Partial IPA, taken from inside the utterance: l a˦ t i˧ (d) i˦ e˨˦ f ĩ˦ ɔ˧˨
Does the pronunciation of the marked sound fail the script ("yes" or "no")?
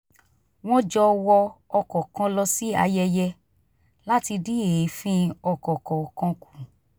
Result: no